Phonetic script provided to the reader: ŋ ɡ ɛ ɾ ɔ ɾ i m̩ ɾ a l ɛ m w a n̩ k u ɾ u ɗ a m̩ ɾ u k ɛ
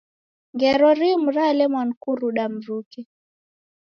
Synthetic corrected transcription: ŋ ɡ ɛ ɾ ɔ ɾ i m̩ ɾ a l ɛ m w a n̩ k u ɾ u ɗ a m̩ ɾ u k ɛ